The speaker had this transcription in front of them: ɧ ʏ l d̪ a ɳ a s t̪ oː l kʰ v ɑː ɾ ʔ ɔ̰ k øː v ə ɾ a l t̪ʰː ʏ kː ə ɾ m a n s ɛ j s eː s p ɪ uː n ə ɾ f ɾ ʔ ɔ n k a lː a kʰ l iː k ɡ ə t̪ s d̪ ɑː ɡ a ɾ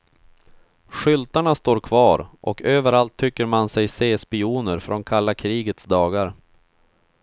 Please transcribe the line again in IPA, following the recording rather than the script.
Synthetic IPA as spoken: ɧ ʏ l t̪ a ɳ a s t̪ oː ɾ kʰ v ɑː ɾ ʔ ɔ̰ k øː v ə ɾ a l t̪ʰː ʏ kː ə ɾ m a n s ɛ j s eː s p ɪ uː n ə ɾ f ɾ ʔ ɔ n kʰ a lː a kʰ ɾ iː ɡ ə t̪ s d̪ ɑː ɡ a ɾ